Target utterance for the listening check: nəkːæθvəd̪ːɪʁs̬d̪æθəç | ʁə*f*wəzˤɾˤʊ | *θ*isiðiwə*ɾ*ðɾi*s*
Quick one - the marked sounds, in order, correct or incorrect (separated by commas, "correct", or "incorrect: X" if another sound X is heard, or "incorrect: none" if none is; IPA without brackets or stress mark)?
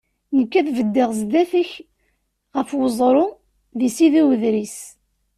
correct, incorrect: ð, incorrect: none, correct